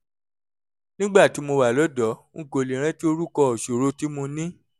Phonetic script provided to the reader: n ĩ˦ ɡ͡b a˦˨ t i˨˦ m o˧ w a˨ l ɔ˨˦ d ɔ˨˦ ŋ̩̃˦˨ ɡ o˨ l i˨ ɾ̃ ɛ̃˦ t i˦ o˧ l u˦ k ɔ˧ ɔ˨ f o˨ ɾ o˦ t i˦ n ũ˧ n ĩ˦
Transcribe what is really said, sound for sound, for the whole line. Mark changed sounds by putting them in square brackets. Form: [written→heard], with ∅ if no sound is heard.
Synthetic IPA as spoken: n ĩ˦ ɡ͡b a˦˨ t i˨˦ m o˧ w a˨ l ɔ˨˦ d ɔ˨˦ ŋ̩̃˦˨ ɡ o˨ l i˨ ɾ̃ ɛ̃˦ t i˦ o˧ [l→ɾ] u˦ k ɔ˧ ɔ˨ [f→ʃ] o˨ ɾ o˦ t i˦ [n→m] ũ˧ n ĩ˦